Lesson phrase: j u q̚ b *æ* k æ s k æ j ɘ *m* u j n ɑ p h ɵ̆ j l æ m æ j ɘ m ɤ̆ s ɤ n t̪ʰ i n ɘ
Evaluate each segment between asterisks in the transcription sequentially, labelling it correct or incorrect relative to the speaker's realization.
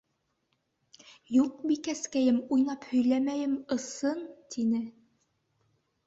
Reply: incorrect: i, correct

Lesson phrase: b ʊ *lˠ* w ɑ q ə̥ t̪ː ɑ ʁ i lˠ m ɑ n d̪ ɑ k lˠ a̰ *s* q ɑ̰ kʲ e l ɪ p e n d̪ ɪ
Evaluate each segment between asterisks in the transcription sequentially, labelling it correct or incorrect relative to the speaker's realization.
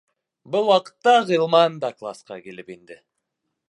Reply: correct, correct

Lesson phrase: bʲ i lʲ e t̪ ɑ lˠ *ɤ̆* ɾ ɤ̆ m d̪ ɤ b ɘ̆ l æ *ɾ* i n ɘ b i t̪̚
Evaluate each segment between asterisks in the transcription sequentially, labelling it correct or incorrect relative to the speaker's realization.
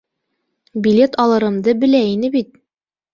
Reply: correct, incorrect: none

